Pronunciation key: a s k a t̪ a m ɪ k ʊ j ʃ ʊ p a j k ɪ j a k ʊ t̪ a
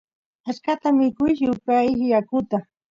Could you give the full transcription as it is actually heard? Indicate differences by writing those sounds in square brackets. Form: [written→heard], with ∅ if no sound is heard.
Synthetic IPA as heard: a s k a t̪ a m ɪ k ʊ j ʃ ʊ p a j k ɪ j a k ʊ t̪ a